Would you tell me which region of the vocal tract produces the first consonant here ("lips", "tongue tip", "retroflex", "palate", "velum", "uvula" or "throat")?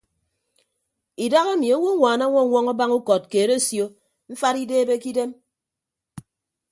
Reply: tongue tip